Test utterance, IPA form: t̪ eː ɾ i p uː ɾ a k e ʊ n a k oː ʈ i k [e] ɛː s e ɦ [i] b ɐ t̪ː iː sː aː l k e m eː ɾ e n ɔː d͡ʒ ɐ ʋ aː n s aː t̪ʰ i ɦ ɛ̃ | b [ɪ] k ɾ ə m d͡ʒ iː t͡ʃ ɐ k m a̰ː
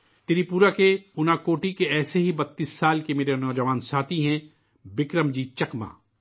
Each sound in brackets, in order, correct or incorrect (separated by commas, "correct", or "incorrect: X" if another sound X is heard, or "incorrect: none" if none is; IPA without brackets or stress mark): correct, correct, correct